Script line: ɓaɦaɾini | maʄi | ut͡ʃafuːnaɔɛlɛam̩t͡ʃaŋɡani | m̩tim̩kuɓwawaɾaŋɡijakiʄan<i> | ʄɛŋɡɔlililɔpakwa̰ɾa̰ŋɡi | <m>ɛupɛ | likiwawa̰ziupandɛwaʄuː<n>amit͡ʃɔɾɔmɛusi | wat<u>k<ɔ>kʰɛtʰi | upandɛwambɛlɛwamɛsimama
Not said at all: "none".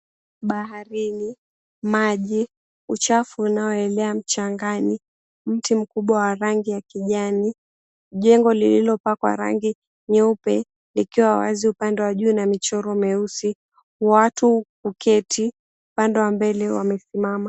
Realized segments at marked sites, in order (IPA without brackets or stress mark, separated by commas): i, ɲ, n, u, u